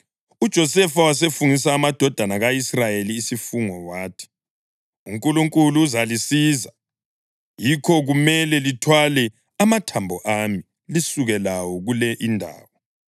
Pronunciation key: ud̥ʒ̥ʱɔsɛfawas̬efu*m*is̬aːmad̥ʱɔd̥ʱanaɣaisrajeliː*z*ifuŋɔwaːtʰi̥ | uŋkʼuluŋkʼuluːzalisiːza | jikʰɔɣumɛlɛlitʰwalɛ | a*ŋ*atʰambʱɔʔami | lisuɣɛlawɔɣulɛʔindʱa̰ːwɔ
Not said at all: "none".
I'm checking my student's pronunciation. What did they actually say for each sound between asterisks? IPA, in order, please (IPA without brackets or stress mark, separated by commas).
ŋ, s, m